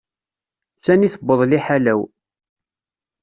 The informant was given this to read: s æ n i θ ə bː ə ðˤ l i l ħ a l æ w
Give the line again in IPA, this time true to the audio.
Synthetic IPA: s æ n i θ ə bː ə ðˤ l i ħ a l æ w